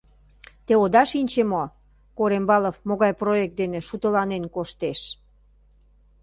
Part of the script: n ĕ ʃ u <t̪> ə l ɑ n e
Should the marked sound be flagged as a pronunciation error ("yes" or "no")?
no